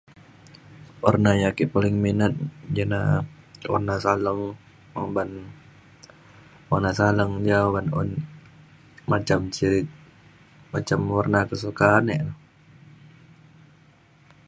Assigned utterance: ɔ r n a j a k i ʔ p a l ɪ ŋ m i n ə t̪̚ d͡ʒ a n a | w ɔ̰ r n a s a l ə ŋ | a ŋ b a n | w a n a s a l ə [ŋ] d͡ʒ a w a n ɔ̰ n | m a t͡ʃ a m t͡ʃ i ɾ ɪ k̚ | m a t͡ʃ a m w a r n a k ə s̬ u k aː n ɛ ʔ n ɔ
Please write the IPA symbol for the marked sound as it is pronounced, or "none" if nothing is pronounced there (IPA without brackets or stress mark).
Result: ŋ